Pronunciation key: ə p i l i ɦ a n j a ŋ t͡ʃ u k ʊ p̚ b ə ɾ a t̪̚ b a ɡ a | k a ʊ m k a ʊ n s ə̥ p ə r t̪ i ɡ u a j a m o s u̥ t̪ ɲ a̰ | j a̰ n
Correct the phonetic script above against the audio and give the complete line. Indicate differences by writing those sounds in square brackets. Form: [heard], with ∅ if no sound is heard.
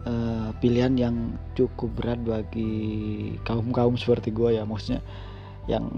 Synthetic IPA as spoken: ə p i l i ɦ a n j a ŋ t͡ʃ u k ʊ p̚ b ə ɾ a t̪̚ b a ɡ [i] | k a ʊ m k a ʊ [m] s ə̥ p ə r t̪ i ɡ u a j a m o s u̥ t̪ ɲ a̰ | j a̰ [ŋ]